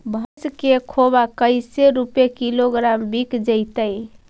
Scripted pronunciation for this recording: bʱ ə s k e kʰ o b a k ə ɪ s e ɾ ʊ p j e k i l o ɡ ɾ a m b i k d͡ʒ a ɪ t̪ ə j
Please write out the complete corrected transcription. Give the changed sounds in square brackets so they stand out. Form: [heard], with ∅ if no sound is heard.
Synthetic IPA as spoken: bʱ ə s k e kʰ o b a k ə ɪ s e ɾ [u] p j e k i l o ɡ ɾ a m b i k d͡ʒ [ə] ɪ t̪ ə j